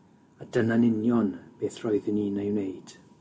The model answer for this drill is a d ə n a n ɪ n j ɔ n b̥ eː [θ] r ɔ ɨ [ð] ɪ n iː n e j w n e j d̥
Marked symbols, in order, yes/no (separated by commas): yes, yes